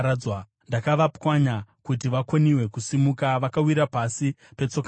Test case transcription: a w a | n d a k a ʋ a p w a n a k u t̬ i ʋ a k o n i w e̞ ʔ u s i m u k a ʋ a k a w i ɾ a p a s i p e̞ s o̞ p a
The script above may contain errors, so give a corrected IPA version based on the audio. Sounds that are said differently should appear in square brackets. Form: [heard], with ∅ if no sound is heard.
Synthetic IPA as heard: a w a | n d a k a ʋ a p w a [ɲ] a k u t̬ i ʋ a k o n i w e̞ [k] u s i m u k a ʋ a k a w i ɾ a p a s i p e̞ [t͡s] o̞ [k] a